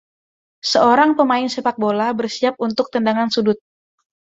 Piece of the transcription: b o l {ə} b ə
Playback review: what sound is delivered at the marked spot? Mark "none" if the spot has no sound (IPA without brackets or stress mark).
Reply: a